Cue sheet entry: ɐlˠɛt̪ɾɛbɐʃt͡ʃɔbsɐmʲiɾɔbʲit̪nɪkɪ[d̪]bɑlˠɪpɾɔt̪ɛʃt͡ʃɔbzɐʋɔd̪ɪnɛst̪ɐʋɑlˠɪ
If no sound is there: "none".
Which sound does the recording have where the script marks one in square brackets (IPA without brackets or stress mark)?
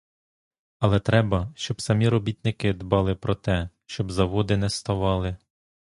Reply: d̪